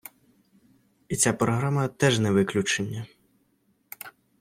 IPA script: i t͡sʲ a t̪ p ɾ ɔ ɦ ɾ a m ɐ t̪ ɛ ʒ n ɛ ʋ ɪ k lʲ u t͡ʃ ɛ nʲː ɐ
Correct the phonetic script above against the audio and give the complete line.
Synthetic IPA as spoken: i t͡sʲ a p ɾ ɔ ɦ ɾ a m ɐ t̪ ɛ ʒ n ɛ ʋ ɪ k lʲ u t͡ʃ e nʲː ɐ